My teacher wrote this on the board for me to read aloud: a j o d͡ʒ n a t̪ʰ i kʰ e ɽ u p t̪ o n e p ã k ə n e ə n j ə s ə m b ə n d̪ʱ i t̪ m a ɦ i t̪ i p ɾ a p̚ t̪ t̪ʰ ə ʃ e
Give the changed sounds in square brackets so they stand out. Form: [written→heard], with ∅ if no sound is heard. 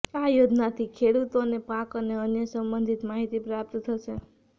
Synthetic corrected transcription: a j o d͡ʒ n a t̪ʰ i kʰ e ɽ u [p→∅] t̪ o n e p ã k ə n e ə n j ə s ə m b ə n d̪ʱ i t̪ m a ɦ i t̪ i p ɾ a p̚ t̪ t̪ʰ ə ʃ e

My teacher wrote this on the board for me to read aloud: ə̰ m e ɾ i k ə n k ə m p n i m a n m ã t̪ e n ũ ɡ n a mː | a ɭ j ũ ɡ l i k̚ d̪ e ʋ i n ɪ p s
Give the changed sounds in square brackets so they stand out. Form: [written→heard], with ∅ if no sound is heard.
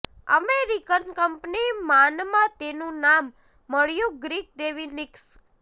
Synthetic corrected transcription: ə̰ m e ɾ i k ə n k ə m p n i m a n m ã t̪ e n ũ [ɡ→∅] n a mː | [a→ə] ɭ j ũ ɡ [l→ɾ] i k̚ d̪ e ʋ i n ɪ [p→k] s

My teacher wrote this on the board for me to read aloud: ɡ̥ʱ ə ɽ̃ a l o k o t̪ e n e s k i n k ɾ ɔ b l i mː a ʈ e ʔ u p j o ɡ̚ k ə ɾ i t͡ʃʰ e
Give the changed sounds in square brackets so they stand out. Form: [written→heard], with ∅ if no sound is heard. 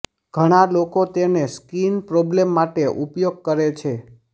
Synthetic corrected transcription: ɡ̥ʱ ə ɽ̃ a l o k o t̪ e n e s k i n [k→p] ɾ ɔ b l [i→e] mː a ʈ e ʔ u p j o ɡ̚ k ə ɾ [i→e] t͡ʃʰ e

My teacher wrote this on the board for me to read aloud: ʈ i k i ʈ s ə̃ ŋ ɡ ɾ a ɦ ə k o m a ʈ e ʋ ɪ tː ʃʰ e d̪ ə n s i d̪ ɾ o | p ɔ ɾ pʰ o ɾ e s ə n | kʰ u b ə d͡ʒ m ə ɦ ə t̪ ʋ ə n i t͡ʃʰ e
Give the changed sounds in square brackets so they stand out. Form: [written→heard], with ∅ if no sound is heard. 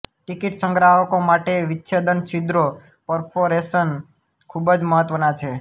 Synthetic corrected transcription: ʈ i k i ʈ s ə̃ ŋ ɡ ɾ a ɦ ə k o m a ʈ e ʋ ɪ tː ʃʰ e d̪ ə n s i d̪ ɾ o | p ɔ ɾ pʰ o ɾ e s ə n | kʰ u b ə d͡ʒ m ə ɦ ə t̪ ʋ ə n [i→a] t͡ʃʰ e

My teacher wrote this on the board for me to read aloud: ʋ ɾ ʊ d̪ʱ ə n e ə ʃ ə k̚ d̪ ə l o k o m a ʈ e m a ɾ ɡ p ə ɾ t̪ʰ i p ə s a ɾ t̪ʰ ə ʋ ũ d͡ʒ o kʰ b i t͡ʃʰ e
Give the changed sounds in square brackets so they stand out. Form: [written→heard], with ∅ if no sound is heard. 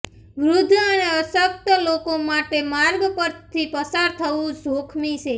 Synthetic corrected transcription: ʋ ɾ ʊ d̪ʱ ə n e ə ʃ ə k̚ [d̪→t̪] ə l o k o m a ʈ e m a ɾ ɡ p ə ɾ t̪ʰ i p ə s a ɾ t̪ʰ ə ʋ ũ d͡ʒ o kʰ [b→m] i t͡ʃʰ e

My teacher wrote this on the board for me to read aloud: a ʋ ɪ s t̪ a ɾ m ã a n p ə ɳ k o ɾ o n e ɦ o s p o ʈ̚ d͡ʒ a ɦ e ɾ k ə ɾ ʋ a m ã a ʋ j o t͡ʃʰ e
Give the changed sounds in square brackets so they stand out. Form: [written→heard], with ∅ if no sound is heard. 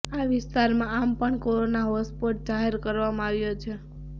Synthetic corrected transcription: a ʋ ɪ s t̪ a ɾ m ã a [n→m] p ə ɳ k o ɾ o n [e→a] ɦ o s p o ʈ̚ d͡ʒ a ɦ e ɾ k ə ɾ ʋ a m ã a ʋ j o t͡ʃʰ e

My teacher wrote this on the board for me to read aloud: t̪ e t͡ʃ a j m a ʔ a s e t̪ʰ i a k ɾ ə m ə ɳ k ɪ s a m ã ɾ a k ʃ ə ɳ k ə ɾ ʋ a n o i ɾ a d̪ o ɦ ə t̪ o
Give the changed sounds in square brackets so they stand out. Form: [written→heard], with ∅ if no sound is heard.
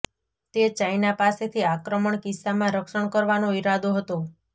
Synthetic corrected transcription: t̪ e t͡ʃ a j [m→n] a [ʔ→p] a s e t̪ʰ i a k ɾ ə m ə ɳ k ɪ s a m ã ɾ [a→ə] k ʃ ə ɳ k ə ɾ ʋ a n o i ɾ a d̪ o ɦ ə t̪ o

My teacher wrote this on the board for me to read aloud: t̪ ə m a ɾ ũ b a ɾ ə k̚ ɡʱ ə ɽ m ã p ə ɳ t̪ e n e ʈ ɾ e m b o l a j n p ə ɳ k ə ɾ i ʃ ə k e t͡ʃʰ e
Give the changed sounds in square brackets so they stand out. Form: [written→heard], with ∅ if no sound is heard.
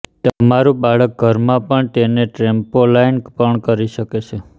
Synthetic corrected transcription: t̪ ə m a ɾ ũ b a [ɾ→ɭ] ə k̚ ɡʱ ə [ɽ→ɾ] m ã p ə ɳ t̪ e n e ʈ ɾ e m [b→p] o l a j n p ə ɳ k ə ɾ i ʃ ə k e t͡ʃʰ e

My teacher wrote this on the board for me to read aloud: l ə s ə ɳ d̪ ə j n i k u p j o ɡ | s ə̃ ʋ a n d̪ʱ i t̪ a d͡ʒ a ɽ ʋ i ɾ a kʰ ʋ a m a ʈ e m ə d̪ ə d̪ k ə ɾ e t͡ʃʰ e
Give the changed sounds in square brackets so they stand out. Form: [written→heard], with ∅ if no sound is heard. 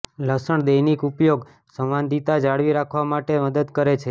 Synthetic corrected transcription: l ə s ə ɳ d̪ ə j n i k u p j o ɡ | s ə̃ ʋ a n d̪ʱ i t̪ a d͡ʒ a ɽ ʋ i ɾ a kʰ ʋ a m a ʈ e m ə d̪ ə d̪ k ə ɾ e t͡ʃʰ e

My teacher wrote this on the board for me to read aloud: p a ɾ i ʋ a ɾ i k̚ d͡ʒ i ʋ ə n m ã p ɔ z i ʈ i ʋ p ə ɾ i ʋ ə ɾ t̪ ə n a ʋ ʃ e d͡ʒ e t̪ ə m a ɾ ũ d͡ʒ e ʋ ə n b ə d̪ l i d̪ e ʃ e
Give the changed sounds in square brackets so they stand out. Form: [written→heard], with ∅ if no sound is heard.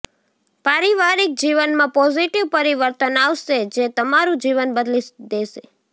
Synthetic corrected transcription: p a ɾ i ʋ a ɾ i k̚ d͡ʒ i ʋ ə n m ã p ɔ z i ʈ i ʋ p ə ɾ i ʋ ə ɾ t̪ ə n a ʋ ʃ e d͡ʒ e t̪ ə m a ɾ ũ d͡ʒ [e→i] ʋ ə n b ə d̪ l i d̪ e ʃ e

